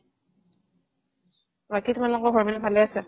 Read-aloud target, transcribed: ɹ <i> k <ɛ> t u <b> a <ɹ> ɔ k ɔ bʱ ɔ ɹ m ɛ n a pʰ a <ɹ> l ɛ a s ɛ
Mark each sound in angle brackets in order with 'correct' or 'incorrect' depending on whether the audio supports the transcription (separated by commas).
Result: incorrect, incorrect, incorrect, incorrect, incorrect